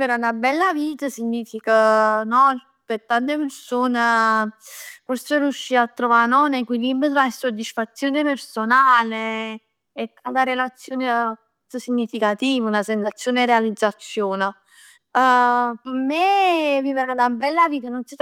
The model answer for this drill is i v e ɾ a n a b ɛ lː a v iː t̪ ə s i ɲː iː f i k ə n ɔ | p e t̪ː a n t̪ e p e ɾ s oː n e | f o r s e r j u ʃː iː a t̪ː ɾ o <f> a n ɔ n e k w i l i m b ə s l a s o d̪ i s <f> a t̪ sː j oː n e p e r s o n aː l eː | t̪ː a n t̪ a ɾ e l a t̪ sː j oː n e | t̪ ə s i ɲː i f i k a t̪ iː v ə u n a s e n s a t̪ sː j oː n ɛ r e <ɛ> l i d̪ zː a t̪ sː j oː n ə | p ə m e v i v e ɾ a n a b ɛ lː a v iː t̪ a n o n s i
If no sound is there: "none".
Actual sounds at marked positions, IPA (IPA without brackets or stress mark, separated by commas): v, f, a